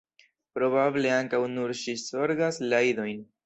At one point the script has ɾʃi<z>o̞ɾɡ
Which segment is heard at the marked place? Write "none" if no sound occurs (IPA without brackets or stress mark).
s